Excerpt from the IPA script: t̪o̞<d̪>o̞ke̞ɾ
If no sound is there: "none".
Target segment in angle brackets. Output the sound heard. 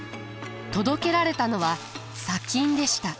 d̪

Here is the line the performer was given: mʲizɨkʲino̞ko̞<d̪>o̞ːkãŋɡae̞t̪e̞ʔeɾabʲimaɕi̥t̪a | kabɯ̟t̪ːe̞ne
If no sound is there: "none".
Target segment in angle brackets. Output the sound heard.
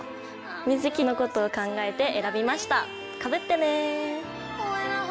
t̪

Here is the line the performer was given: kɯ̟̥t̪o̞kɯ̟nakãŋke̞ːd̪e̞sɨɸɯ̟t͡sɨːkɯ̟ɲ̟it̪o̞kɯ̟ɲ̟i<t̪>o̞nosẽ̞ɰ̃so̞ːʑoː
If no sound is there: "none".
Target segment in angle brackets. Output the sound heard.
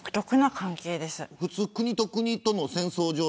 t̪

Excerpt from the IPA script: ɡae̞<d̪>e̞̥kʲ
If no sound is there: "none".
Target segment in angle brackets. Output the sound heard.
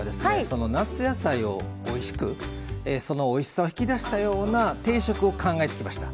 t̪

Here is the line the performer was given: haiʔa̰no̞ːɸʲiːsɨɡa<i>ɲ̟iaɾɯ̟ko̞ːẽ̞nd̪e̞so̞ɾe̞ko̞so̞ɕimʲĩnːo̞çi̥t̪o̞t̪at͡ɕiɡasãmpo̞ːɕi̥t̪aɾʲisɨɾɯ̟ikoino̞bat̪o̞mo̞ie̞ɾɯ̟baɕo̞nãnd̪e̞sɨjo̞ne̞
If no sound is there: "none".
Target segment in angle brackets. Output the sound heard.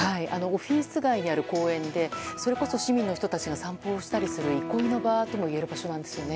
i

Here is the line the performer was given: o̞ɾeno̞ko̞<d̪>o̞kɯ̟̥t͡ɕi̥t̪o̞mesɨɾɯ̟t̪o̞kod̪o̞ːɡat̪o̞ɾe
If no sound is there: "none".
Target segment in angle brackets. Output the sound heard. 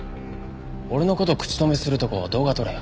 t̪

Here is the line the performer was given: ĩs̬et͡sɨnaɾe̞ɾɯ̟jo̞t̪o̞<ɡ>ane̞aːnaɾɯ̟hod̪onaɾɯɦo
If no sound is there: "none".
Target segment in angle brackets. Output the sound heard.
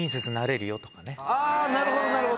k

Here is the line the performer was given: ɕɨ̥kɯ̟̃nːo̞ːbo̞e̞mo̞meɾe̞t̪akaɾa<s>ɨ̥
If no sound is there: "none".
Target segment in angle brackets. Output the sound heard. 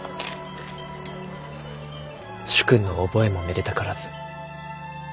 z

